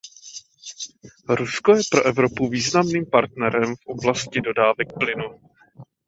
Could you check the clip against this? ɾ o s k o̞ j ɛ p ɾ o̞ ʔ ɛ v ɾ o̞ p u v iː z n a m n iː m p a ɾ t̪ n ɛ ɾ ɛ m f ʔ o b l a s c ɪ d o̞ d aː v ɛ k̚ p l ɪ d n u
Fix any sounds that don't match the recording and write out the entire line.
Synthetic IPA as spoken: ɾ u s k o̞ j ɛ p ɾ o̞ ʔ ɛ v ɾ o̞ p u v iː z n a m n iː m p a ɾ t̪ n ɛ ɾ ɛ m f ʔ o b l a s c ɪ d o̞ d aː v ɛ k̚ p l ɪ n u